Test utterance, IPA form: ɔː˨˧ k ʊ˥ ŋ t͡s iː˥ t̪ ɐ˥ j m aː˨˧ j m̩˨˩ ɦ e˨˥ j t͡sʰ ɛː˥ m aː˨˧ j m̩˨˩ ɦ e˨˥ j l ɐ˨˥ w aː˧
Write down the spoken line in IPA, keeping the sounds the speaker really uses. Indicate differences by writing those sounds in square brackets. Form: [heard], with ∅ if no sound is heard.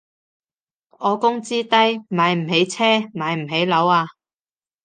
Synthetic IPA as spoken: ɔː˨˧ k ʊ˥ ŋ t͡s iː˥ t̪ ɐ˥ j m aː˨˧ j m̩˨˩ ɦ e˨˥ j t͡sʰ ɛː˥ m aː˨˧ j m̩˨˩ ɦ e˨˥ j l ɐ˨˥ w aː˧